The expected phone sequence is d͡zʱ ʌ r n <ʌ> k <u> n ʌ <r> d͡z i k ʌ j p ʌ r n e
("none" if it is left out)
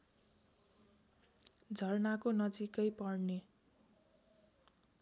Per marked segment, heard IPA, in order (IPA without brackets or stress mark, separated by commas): a, o, none